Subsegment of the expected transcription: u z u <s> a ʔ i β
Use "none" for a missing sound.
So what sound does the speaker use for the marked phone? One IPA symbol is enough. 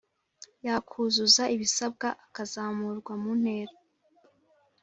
z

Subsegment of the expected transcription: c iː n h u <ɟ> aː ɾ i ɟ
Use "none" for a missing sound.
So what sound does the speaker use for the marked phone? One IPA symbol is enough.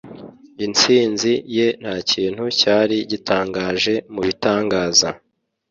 c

